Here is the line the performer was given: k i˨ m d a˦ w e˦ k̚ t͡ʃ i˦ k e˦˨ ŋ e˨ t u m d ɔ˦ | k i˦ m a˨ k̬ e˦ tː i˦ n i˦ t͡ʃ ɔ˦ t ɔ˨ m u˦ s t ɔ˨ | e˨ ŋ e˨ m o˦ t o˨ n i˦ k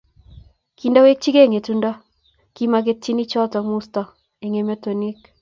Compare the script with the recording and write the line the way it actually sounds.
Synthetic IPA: k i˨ n d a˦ w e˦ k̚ t͡ʃ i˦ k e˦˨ ŋ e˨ t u n d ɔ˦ | k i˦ m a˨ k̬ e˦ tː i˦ n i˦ t͡ʃ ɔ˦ t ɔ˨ m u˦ s t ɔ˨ | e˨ ŋ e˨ m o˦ t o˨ n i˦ k